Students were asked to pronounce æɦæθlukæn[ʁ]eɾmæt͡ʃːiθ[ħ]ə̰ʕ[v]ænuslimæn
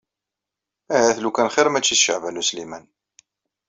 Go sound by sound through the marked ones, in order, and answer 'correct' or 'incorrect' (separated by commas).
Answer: incorrect, incorrect, correct